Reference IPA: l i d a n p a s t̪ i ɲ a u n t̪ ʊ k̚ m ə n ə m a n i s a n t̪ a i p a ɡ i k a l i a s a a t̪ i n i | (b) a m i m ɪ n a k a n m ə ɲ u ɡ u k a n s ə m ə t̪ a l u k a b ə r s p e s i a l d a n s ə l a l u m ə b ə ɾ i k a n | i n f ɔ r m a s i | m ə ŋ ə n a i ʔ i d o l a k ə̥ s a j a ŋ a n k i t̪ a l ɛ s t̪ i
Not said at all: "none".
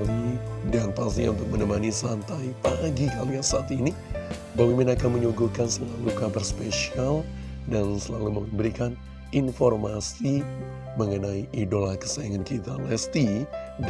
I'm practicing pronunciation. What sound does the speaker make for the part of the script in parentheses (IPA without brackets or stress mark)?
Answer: b